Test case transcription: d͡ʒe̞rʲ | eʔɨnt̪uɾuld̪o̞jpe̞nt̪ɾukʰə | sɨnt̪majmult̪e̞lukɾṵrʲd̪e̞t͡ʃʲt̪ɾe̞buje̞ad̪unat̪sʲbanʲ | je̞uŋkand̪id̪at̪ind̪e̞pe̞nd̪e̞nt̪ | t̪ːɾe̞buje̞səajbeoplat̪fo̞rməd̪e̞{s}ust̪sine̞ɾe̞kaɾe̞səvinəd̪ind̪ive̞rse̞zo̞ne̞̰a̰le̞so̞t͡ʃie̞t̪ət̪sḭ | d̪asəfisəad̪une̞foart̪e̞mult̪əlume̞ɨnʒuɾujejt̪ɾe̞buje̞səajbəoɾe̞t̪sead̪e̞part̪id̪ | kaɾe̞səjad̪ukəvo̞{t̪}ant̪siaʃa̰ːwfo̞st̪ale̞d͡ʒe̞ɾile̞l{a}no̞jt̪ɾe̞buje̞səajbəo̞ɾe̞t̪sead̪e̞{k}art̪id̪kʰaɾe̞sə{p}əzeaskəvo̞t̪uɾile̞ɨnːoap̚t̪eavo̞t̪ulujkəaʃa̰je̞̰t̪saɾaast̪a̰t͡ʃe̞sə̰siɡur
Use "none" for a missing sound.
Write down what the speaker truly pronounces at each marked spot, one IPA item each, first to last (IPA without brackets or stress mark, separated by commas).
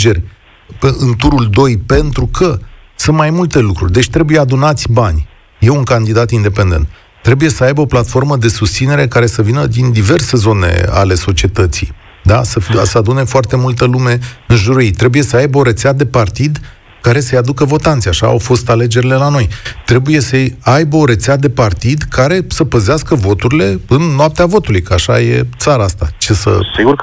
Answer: s, t̪, a, p, p